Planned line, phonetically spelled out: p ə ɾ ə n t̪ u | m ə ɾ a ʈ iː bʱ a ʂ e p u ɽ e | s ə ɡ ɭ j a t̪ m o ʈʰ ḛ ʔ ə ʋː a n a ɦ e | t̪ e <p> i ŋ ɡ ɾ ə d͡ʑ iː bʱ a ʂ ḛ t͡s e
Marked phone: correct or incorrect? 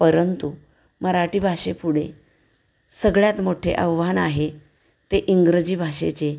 incorrect